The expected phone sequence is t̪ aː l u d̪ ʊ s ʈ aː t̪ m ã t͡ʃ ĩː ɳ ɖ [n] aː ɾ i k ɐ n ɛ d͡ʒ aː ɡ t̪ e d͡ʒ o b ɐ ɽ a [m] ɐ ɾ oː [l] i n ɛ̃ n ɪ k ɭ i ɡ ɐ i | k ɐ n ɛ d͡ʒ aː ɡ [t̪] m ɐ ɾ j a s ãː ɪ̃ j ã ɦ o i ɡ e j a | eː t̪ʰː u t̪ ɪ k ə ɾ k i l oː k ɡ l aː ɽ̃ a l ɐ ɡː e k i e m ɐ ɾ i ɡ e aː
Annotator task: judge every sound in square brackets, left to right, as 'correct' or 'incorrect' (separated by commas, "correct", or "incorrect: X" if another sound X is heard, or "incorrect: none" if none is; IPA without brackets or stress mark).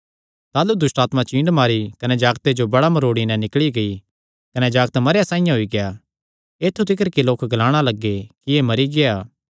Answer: incorrect: m, correct, incorrect: ɽ, correct